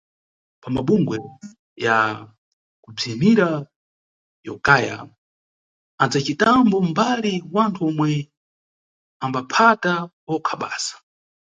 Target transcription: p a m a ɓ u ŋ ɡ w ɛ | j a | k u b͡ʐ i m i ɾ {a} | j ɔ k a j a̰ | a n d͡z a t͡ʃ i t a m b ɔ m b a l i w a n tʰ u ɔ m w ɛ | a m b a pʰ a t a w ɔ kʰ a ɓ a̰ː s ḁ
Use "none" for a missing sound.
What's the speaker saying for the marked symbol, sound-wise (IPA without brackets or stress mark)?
a